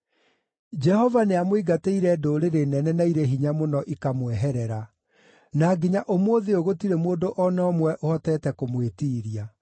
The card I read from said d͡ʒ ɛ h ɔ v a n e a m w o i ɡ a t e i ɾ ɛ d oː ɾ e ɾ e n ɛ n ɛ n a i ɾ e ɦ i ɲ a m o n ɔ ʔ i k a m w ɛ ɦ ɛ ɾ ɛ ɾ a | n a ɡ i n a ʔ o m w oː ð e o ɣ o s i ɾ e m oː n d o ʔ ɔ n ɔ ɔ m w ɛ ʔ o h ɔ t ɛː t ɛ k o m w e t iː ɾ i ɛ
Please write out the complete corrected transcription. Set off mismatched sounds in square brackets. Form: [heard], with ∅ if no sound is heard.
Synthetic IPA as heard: d͡ʒ ɛ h ɔ v a n e a m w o i ɡ a t e i ɾ ɛ d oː ɾ e ɾ e n ɛ n ɛ n a i ɾ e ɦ i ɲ a m o n ɔ ʔ i k a m w ɛ ɦ ɛ ɾ ɛ ɾ a | n a ɡ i [ɲ] a ʔ o m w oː ð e o ɣ o [t] i ɾ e m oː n d o ʔ ɔ n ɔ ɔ m w ɛ ʔ o h ɔ t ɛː t ɛ k o m w e t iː ɾ i [a]